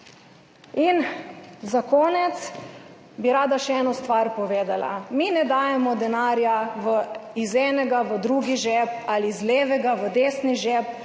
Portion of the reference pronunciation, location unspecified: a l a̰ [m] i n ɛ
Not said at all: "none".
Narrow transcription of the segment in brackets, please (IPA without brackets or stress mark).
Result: m